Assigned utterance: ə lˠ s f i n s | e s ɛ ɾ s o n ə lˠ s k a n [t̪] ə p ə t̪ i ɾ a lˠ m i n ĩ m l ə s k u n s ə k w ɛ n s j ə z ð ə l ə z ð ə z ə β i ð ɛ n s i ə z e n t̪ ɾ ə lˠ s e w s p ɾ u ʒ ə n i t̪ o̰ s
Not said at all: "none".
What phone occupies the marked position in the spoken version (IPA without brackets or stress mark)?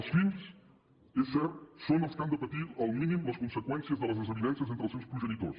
d̪